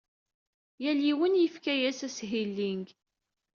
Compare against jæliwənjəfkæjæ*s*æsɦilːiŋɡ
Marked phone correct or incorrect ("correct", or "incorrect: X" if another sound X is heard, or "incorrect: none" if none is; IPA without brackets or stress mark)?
correct